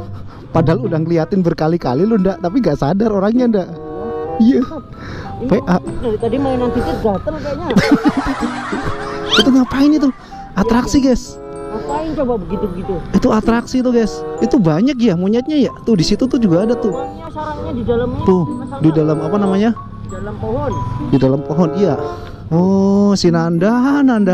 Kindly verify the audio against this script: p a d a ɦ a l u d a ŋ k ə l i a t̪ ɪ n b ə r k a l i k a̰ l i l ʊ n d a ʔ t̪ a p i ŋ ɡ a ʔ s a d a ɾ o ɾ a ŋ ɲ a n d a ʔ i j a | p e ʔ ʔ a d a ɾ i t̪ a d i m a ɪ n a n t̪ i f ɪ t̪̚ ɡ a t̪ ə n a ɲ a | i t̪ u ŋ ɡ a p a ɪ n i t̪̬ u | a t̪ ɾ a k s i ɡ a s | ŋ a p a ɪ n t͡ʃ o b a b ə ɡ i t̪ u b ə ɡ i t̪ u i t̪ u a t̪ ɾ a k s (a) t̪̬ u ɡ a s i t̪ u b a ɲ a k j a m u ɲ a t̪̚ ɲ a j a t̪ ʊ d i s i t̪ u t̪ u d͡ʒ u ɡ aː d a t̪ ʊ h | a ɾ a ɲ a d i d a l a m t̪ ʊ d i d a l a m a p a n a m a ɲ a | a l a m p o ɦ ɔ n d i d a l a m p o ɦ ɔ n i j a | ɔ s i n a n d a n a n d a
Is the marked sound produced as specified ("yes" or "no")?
no